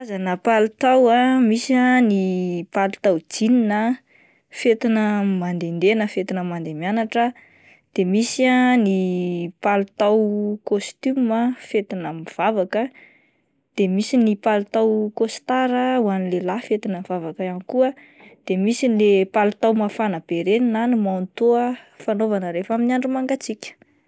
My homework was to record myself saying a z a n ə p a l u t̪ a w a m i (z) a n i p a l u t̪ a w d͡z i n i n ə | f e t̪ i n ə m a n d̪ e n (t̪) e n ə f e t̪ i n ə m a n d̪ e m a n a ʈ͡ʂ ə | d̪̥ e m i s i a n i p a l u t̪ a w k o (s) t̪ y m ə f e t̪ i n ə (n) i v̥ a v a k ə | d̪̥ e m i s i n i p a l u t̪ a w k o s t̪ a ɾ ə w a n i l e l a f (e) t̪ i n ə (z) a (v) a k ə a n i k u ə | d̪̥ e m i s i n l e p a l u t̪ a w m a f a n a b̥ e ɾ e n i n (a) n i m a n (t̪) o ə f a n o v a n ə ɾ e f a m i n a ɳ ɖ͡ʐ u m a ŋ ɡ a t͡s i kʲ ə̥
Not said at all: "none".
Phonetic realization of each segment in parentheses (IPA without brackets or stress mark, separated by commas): s, d̪, s, m, e, v, v, a, t̪